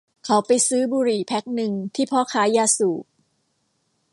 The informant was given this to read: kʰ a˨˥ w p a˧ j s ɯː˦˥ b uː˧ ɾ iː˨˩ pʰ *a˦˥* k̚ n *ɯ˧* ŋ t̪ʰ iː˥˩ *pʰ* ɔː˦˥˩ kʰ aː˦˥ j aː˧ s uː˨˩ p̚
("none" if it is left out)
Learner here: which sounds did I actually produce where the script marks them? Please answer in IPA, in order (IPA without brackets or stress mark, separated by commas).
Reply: ɛ˦˥, ɯ˧, pʰ